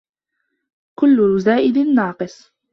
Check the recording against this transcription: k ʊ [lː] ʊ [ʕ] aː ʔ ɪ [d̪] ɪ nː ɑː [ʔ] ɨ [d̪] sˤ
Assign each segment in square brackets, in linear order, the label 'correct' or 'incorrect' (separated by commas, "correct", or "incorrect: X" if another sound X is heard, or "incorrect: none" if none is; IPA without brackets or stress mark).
correct, incorrect: z, correct, incorrect: q, incorrect: none